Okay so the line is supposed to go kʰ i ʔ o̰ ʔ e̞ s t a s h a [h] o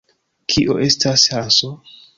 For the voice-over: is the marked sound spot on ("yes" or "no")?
no